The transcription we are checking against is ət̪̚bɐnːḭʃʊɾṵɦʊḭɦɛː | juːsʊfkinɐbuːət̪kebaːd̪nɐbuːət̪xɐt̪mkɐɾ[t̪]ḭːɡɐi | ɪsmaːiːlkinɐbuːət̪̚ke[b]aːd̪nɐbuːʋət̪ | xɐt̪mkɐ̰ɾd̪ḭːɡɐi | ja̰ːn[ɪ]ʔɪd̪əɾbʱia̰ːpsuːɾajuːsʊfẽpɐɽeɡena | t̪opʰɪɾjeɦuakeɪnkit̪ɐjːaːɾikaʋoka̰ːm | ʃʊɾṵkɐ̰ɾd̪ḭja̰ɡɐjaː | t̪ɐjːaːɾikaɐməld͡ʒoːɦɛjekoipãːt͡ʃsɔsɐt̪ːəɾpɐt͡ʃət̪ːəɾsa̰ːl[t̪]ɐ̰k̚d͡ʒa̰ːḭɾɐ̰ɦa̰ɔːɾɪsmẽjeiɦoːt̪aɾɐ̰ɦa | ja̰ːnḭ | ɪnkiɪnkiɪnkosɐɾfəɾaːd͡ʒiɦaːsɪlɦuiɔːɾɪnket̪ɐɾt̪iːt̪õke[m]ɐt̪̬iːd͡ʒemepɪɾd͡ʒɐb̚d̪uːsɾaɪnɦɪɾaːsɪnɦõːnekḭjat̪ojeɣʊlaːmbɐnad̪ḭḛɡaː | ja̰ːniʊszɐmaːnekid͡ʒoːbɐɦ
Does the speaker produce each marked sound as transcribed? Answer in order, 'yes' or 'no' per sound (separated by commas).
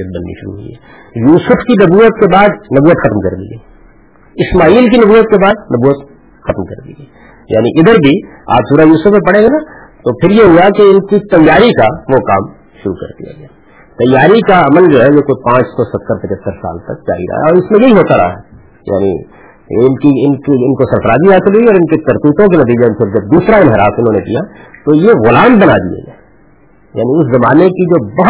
no, yes, no, yes, no